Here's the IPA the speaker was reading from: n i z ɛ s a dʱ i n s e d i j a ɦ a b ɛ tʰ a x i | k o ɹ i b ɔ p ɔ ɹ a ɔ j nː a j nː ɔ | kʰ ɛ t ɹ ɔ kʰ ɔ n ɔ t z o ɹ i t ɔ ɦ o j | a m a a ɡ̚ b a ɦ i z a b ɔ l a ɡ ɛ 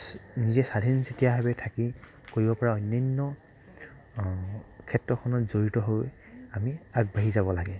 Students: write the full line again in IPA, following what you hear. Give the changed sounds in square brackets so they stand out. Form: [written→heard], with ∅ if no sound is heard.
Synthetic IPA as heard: n i z ɛ s a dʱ i n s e [d→t] i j a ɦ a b ɛ tʰ a [x→k] i | k o ɹ i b ɔ p ɔ ɹ a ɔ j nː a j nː ɔ | kʰ ɛ t ɹ ɔ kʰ ɔ n ɔ t z o ɹ i t ɔ ɦ o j | a m [a→i] a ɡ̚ b a ɦ i z a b ɔ l a ɡ ɛ

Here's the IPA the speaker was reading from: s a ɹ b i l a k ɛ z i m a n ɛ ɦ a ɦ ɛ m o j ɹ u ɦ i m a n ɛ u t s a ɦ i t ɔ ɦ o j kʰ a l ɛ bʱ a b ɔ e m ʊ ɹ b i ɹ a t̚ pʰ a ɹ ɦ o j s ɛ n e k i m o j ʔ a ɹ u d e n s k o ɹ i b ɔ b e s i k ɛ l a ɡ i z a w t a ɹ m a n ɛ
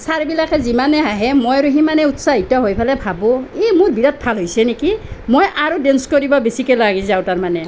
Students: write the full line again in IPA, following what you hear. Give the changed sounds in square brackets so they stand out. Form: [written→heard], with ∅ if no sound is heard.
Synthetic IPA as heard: s a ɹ b i l a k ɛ z i m a n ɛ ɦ a ɦ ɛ m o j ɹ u ɦ i m a n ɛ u t s a ɦ i t ɔ ɦ o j [kʰ→pʰ] a l ɛ bʱ a b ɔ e m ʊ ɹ b i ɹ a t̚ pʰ a [ɹ→l] ɦ o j s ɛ n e k i m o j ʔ a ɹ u d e n s k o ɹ i b ɔ b e s i k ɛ l a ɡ i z a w t a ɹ m a n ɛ

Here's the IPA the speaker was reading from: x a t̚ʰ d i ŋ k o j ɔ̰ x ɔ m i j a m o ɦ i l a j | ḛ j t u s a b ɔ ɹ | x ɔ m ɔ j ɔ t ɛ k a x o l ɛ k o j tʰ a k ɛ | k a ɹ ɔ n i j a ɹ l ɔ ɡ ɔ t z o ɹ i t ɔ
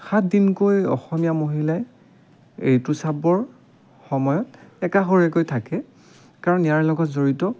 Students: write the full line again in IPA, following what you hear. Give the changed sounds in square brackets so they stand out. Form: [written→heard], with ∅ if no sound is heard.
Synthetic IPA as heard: x a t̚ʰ d i [ŋ→n] k o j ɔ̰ x ɔ m i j a m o ɦ i l a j | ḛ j t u s a b ɔ ɹ | x ɔ m ɔ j ɔ t ɛ k a x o [l→ɹ] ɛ k o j tʰ a k ɛ | k a ɹ ɔ n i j a ɹ l ɔ ɡ ɔ t z o ɹ i t ɔ

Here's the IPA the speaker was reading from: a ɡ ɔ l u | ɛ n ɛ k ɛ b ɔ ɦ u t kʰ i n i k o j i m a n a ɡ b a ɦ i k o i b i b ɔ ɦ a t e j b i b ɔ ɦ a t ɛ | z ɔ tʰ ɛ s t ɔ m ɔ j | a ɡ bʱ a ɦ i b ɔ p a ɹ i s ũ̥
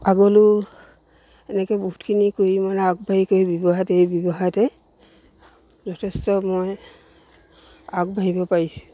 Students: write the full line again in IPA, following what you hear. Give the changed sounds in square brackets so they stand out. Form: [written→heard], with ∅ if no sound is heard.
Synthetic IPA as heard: a ɡ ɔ l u | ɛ n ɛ k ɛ b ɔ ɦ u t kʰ i n i k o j i m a n a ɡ b a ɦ i k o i b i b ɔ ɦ a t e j b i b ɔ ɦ a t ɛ | z ɔ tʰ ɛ s t ɔ m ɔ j | a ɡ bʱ a ɦ i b ɔ p a ɹ i s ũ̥

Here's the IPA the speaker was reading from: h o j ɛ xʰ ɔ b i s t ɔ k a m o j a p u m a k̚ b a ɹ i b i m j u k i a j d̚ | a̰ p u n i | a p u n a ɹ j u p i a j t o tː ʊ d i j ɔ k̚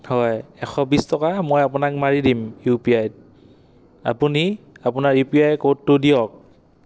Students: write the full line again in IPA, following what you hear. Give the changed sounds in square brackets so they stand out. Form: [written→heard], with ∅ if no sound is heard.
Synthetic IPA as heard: h [o→ɔ] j ɛ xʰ ɔ b i s t ɔ k a m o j a p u [m→n] a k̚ [b→m] a ɹ i [b→d] i m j u [k→p] i a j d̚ | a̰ p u n i | a p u n a ɹ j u p i a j [t→k] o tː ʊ d i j ɔ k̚

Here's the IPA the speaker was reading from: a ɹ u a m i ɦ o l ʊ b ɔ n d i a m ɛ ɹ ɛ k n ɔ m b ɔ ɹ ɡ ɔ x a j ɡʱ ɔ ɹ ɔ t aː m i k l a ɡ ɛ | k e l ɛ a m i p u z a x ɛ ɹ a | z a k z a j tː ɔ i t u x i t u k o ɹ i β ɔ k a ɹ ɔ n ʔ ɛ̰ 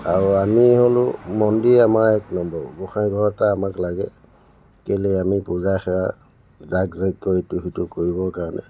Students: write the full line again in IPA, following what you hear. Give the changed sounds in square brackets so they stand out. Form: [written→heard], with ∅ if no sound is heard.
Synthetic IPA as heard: a ɹ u a m i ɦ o l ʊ [b→m] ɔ n d i a m [ɛ→a] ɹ ɛ k n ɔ m b ɔ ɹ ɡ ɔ x a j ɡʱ ɔ ɹ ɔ t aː m [i→a] k l a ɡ ɛ | k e l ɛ a m i p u z a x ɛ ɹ a | z a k z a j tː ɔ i t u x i t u k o ɹ i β ɔ k a ɹ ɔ n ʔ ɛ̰

